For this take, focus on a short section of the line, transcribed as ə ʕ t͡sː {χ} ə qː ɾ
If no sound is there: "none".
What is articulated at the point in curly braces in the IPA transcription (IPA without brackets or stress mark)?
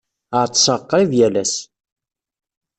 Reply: s